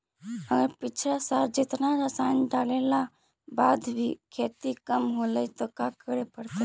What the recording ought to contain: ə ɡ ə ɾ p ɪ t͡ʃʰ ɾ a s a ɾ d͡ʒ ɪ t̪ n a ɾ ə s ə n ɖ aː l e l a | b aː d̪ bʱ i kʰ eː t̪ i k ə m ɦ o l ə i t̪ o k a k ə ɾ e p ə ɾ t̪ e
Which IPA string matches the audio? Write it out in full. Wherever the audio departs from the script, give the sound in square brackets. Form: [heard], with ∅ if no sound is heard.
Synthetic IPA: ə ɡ ə ɾ p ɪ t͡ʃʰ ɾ a s a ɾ d͡ʒ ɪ t̪ n a ɾ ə s [a] n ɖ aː l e l a | b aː d̪ bʱ i kʰ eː t̪ i k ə m ɦ o l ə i t̪ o k a k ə ɾ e p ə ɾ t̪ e